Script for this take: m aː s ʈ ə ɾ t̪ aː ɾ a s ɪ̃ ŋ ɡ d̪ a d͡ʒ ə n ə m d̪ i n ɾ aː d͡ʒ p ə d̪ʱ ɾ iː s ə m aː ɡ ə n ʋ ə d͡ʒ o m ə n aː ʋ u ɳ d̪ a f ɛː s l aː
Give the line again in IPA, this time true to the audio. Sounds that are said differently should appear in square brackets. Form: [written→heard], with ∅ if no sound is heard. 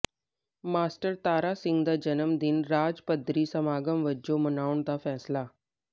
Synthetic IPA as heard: m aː s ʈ ə ɾ t̪ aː ɾ a s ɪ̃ ŋ ɡ d̪ a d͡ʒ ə n ə m d̪ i n ɾ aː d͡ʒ p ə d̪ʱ ɾ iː s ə m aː ɡ ə [n→m] ʋ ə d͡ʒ o m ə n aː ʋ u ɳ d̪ a f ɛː s l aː